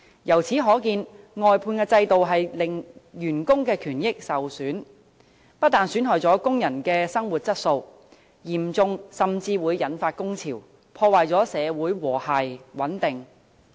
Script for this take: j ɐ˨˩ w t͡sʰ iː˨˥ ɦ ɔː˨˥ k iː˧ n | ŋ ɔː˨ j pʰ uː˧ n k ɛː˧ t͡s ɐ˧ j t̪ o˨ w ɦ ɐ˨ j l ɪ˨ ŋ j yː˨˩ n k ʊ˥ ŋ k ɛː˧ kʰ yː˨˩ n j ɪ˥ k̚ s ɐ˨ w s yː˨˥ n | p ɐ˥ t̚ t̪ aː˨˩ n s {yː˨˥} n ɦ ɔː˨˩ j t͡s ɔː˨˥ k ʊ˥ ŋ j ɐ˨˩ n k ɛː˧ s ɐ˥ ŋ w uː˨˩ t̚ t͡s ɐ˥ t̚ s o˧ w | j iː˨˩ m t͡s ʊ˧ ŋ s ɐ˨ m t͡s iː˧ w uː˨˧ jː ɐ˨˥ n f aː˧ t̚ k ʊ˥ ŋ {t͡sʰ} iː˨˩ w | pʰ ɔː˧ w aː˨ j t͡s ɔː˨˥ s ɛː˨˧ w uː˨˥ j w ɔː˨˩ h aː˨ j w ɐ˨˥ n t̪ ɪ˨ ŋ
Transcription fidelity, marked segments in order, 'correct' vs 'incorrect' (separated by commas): correct, correct